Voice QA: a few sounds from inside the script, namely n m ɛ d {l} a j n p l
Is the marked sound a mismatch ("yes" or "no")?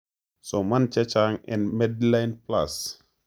no